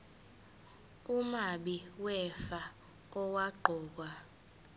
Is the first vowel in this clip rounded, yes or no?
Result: yes